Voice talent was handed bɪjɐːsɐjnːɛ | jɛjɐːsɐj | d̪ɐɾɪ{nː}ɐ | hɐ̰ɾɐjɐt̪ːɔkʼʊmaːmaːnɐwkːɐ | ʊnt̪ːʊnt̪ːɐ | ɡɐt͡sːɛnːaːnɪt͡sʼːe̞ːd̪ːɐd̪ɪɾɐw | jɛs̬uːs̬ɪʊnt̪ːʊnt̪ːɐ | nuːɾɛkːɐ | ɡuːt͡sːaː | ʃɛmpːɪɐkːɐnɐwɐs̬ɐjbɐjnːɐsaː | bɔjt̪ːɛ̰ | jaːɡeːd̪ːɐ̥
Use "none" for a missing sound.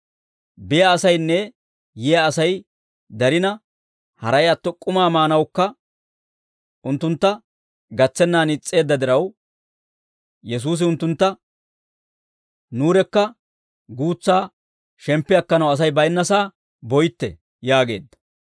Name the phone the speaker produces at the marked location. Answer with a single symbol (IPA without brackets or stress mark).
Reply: n